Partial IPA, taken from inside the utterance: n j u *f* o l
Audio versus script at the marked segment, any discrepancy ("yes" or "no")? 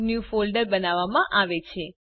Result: no